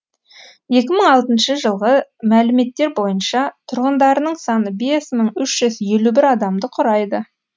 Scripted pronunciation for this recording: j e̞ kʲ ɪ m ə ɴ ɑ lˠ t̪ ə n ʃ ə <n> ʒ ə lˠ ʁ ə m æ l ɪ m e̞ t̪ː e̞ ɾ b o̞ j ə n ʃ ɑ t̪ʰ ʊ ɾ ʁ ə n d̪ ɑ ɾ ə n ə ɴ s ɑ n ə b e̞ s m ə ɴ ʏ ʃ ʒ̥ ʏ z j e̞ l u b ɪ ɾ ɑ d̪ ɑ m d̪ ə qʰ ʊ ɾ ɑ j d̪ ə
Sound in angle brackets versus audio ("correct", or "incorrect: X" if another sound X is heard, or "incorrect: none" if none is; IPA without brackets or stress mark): incorrect: none